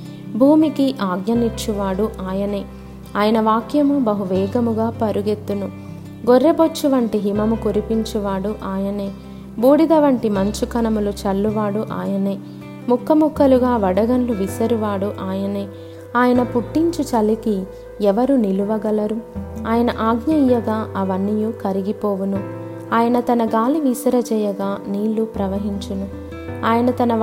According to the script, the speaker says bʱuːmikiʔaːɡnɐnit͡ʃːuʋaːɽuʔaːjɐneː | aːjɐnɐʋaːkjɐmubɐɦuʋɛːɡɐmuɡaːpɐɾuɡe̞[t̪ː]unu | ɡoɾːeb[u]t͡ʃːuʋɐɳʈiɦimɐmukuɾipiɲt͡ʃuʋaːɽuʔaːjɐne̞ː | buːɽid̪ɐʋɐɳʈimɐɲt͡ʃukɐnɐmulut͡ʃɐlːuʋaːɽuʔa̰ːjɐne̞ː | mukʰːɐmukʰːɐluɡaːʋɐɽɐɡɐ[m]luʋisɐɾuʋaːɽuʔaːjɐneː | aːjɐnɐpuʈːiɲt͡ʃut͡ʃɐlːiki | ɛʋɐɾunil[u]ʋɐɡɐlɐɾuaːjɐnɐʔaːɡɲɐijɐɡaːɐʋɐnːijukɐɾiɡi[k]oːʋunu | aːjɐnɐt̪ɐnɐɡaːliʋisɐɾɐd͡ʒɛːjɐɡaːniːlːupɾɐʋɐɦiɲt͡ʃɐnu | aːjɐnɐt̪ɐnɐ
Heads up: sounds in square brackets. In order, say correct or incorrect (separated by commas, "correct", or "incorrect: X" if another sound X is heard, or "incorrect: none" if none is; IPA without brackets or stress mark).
correct, incorrect: o, incorrect: n, correct, incorrect: p